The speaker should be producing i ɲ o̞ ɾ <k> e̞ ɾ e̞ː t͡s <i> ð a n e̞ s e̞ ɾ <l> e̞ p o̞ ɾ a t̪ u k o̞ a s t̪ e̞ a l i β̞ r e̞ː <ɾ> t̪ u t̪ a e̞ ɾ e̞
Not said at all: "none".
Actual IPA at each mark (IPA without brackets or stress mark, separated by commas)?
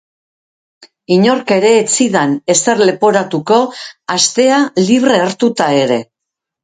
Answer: k, i, l, ɾ